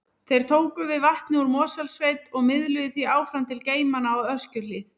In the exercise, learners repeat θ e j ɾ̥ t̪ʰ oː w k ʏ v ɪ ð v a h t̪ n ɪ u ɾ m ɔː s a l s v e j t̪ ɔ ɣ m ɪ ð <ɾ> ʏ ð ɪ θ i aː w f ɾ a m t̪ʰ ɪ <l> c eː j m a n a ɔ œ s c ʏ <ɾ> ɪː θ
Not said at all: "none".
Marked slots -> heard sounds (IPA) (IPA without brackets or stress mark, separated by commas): l, l, l